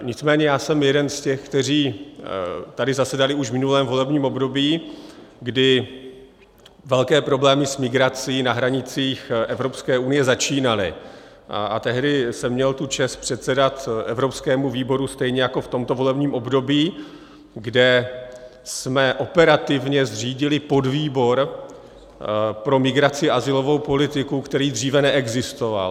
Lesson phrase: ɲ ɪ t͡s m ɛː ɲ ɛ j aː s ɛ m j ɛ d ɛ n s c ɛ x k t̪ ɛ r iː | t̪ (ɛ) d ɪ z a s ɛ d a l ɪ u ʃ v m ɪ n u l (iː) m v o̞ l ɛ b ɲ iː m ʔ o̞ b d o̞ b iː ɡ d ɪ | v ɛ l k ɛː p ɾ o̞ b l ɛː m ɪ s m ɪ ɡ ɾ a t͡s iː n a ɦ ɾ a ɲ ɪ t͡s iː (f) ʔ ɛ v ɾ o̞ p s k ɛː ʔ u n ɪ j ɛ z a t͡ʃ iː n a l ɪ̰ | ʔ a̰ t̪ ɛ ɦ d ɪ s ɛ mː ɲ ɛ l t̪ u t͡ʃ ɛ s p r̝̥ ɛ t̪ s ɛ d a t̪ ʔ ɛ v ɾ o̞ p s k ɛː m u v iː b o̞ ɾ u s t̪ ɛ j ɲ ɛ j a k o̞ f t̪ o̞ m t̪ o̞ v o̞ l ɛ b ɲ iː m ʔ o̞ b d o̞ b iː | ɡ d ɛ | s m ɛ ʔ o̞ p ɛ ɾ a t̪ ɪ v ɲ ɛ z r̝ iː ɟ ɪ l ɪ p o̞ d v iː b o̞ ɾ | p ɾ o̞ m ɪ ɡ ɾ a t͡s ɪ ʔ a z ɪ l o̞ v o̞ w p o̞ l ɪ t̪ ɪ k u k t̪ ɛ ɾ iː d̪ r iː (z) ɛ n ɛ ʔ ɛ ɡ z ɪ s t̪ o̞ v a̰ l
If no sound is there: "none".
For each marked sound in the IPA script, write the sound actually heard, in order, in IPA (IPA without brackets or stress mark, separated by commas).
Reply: a, ɛː, x, v